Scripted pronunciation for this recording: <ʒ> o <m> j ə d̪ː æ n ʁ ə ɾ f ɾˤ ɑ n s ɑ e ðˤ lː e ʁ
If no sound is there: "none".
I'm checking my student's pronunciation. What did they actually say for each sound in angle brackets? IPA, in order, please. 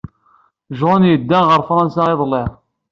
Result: ʒ, n

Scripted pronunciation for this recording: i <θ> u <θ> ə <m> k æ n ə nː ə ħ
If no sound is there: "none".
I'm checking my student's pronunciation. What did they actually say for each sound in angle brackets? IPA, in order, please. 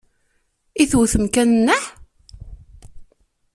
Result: θ, θ, m

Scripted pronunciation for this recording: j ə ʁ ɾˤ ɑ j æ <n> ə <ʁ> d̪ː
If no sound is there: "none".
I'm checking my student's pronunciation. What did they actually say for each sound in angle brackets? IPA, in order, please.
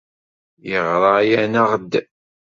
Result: n, ʁ

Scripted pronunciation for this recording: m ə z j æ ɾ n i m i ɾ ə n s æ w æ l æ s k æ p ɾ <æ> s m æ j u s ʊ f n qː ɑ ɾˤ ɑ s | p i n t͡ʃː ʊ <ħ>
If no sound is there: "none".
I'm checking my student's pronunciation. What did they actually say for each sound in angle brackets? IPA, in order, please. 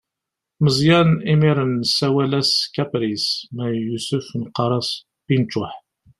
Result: i, ħ

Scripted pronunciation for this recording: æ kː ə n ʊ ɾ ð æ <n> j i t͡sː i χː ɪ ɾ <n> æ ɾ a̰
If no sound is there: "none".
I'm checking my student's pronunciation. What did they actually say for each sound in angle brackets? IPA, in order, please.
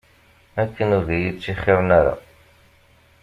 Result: none, n

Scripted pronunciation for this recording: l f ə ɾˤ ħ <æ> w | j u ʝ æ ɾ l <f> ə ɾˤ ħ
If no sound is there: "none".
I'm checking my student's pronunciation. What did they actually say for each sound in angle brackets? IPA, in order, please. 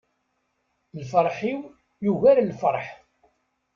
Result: i, f

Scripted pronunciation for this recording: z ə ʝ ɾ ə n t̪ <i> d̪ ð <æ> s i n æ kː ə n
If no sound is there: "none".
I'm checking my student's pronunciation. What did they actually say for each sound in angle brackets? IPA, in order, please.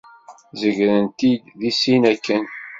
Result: i, i

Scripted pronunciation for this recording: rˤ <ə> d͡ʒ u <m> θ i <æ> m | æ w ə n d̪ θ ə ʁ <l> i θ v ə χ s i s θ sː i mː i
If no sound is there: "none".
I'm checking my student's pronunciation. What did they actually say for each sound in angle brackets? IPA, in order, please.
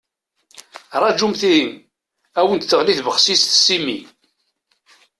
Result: ɑ, m, i, l

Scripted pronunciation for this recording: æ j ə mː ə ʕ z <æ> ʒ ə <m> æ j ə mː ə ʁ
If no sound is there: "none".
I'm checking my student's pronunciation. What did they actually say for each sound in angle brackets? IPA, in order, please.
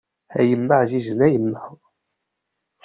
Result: i, n

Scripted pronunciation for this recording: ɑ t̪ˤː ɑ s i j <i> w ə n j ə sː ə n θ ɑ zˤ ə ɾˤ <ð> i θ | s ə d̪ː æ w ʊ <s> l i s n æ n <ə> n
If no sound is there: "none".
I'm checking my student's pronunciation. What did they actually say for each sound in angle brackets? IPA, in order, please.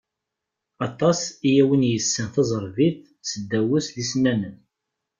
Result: æ, v, s, ə

